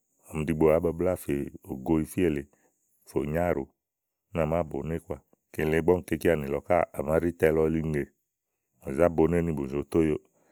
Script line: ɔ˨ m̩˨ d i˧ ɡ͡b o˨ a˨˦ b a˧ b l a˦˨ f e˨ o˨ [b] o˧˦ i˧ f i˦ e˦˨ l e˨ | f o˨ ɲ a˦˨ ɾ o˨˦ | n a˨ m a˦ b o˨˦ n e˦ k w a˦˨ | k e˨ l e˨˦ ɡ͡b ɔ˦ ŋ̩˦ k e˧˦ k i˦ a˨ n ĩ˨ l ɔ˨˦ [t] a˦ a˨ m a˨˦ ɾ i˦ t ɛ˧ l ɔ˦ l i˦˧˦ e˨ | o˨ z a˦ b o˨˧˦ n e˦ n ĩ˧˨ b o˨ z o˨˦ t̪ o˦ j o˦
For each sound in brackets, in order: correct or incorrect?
incorrect, incorrect

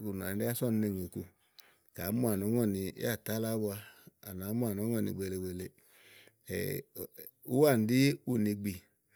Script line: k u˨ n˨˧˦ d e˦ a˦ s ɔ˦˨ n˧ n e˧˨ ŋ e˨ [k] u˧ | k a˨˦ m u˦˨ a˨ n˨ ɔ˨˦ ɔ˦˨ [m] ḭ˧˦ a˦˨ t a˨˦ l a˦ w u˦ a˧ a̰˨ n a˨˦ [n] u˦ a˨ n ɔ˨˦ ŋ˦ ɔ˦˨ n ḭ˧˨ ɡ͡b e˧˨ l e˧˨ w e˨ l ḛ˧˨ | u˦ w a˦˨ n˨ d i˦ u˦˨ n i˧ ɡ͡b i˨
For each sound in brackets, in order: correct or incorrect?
correct, incorrect, incorrect

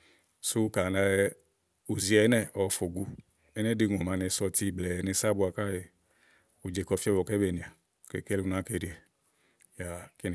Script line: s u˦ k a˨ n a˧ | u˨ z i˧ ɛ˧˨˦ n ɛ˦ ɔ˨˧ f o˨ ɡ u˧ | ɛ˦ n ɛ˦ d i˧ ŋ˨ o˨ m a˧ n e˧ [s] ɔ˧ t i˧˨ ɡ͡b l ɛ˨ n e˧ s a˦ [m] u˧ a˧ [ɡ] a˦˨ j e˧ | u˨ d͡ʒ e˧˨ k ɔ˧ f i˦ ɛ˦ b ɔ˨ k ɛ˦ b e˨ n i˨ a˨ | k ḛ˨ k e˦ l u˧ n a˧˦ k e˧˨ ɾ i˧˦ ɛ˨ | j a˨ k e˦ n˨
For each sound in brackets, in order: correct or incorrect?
correct, incorrect, incorrect

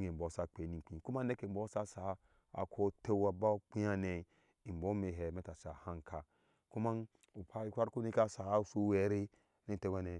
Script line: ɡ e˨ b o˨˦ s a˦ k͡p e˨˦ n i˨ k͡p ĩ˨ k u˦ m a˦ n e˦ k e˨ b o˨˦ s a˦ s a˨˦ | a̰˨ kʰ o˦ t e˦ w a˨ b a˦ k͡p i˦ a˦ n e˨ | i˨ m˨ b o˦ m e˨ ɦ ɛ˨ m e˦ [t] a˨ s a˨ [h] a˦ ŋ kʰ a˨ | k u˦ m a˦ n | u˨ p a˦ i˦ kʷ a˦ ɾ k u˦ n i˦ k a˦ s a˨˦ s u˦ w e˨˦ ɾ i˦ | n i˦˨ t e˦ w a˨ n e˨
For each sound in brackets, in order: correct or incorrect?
correct, correct

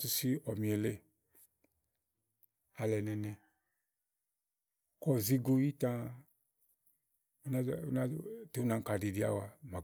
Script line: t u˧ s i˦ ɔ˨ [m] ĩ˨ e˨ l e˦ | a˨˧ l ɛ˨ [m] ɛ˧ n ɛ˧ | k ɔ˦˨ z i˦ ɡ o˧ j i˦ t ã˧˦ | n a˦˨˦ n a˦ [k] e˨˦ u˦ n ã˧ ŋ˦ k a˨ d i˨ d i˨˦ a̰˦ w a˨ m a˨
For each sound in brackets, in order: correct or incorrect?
correct, incorrect, incorrect

